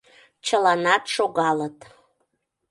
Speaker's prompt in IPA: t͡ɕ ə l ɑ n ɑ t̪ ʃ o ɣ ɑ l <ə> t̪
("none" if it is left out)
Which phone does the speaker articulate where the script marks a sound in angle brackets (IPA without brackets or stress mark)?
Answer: ə